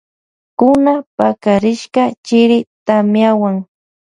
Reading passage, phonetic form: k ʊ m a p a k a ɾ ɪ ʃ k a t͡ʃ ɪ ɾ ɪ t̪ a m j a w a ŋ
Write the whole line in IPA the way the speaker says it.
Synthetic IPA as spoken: k ʊ n a p a k a ɾ ɪ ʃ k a t͡ʃ ɪ ɾ ɪ t̪ a m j a w a ŋ